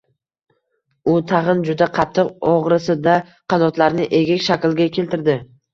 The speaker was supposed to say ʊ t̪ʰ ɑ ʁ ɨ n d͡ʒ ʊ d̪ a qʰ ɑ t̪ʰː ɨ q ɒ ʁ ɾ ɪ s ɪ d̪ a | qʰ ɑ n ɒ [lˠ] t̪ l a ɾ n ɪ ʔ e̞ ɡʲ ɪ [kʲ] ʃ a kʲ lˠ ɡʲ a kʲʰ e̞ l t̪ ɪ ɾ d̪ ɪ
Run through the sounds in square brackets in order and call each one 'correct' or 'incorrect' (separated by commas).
incorrect, correct